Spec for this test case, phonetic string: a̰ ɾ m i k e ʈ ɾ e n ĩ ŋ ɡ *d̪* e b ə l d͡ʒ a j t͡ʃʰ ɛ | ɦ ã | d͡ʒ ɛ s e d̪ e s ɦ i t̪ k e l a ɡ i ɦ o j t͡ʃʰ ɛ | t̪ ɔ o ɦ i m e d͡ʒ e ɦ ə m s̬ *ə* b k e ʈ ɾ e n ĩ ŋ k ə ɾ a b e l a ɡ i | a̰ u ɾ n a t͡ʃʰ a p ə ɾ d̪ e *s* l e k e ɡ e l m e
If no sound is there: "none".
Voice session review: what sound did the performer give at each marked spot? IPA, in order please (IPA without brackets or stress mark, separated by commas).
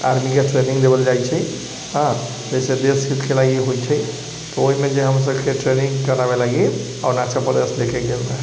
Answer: d̪, ə, s